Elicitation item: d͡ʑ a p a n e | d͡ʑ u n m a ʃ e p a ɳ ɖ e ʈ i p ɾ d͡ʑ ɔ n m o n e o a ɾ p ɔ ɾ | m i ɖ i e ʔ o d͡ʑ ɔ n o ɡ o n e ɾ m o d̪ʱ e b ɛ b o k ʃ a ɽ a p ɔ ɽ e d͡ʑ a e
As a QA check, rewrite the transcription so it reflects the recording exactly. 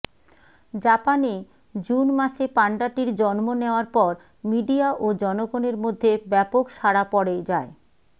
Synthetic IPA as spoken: d͡ʑ a p a n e | d͡ʑ u n m a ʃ e p a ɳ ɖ a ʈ i ɾ d͡ʑ ɔ n m o n e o a ɾ p ɔ ɾ | m i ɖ i a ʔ o d͡ʑ ɔ n o ɡ o n e ɾ m o d̪ʱː e b ɛ p o k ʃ a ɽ a p ɔ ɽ e d͡ʑ a e